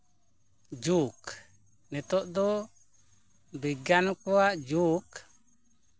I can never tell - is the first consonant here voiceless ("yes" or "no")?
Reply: no